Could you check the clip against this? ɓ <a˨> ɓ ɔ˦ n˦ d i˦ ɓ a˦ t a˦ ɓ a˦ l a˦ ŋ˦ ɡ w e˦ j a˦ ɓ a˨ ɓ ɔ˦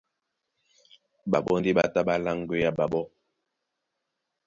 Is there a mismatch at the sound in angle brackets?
no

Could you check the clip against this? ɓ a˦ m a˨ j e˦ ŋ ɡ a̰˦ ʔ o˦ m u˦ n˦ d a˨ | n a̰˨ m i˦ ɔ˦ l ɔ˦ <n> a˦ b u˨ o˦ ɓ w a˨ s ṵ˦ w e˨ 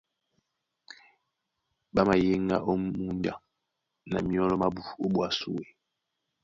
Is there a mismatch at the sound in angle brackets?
yes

